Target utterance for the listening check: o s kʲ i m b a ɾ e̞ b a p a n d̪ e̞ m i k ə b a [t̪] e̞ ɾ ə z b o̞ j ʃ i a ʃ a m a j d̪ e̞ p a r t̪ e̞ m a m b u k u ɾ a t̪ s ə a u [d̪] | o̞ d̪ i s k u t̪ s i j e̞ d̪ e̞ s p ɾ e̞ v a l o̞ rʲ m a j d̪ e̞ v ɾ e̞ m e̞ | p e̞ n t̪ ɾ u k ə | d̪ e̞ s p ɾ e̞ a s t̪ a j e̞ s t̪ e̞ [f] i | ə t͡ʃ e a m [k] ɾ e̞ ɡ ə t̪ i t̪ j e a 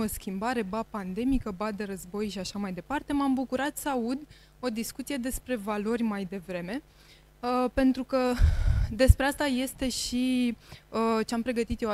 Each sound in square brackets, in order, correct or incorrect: incorrect, correct, incorrect, incorrect

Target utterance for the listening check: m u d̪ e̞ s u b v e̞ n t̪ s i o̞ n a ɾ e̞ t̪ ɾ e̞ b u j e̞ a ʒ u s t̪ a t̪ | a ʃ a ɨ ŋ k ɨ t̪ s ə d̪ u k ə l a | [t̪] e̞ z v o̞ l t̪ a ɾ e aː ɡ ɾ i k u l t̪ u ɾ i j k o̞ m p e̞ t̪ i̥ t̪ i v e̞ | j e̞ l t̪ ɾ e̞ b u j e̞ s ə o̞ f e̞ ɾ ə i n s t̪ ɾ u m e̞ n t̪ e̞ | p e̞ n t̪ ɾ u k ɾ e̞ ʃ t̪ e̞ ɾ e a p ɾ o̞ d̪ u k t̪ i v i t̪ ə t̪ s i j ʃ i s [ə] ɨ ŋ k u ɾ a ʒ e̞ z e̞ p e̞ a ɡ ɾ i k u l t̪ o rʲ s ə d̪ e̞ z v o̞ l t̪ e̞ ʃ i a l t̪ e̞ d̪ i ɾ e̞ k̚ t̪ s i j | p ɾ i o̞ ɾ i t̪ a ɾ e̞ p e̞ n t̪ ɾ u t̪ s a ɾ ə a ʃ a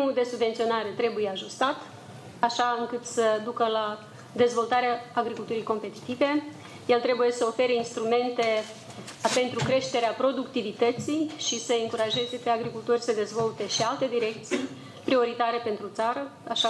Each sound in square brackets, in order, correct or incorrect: incorrect, correct

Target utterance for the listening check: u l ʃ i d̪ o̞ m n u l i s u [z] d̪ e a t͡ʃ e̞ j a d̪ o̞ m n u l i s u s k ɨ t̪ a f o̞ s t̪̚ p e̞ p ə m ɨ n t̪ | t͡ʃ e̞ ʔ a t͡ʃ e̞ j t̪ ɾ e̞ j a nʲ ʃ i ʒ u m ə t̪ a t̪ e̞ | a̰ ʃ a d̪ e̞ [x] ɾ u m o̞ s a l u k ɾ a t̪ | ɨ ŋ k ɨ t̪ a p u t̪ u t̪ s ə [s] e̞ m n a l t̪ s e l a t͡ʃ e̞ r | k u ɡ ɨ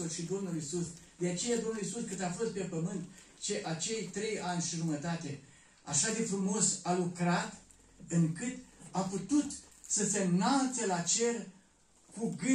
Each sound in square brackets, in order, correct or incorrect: incorrect, incorrect, correct

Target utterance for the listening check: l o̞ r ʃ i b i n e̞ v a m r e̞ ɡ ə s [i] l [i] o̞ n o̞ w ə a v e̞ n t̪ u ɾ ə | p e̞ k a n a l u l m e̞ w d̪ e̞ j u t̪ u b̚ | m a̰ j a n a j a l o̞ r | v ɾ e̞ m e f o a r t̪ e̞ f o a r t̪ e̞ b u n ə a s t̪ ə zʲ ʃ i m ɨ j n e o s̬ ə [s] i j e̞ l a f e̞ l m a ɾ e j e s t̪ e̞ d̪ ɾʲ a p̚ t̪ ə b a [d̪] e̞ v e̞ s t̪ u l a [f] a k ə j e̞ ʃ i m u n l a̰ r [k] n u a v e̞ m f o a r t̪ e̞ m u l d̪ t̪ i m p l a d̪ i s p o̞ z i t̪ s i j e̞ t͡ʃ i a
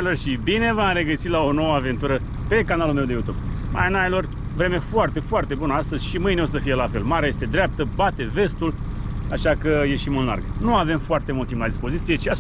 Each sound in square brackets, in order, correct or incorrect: correct, incorrect, incorrect, incorrect, incorrect, incorrect

